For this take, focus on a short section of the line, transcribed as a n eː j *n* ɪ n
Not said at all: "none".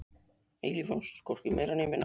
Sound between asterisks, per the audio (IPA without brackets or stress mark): m